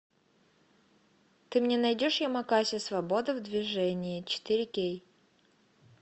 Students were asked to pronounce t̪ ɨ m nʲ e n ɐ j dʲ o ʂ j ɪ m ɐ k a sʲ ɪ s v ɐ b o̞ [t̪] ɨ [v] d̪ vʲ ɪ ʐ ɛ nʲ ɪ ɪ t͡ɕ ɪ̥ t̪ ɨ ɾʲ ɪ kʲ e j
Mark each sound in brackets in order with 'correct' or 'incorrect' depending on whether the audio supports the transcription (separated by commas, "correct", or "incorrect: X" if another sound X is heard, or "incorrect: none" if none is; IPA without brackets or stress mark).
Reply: incorrect: d̪, correct